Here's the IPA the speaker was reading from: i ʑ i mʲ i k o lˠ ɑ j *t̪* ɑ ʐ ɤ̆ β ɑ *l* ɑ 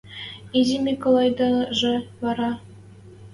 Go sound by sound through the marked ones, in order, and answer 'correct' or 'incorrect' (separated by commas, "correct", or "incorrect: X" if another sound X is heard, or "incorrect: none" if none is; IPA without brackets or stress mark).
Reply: incorrect: d̪, incorrect: ɾ